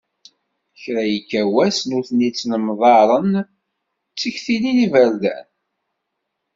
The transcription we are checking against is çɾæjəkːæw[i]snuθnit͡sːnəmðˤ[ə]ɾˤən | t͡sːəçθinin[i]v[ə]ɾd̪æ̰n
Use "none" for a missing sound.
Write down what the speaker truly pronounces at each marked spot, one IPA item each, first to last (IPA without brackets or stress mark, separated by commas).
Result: æ, ɑ, i, ə